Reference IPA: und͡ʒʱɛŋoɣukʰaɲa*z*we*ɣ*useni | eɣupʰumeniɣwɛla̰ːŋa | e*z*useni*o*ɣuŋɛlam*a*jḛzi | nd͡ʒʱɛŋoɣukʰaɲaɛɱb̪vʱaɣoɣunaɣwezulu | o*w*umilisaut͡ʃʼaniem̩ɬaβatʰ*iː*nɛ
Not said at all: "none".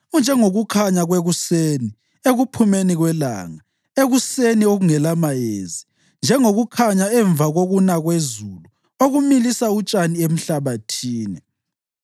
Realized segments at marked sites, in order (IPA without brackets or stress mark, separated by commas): ɣ, ɣ, ɣ, o, a, ɣ, iː